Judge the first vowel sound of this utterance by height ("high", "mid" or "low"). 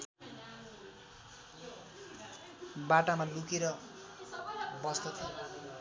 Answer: low